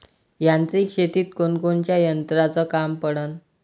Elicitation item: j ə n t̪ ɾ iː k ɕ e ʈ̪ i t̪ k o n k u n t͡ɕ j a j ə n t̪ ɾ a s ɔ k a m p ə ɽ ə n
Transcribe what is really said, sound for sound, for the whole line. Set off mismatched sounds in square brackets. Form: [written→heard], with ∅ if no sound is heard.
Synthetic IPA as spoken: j [ə→a] n t̪ ɾ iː k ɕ e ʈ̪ [i→iː] t̪ k o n k [u→o] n t͡ɕ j a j ə n t̪ ɾ a [s→t͡s] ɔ k a m p ə ɽ ə n